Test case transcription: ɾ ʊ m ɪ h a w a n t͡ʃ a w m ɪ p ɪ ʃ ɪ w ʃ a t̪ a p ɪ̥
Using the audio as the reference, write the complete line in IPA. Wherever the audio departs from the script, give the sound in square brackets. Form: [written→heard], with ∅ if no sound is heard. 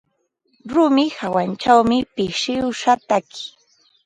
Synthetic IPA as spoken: ɾ ʊ m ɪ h a w a n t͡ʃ a w m ɪ p ɪ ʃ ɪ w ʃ a t̪ a [p→k] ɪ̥